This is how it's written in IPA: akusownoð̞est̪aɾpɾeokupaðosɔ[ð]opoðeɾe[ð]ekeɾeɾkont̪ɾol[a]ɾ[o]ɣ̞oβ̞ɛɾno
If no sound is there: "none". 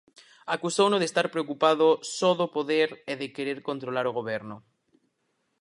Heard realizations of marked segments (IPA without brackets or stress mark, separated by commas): ð, ð, a, o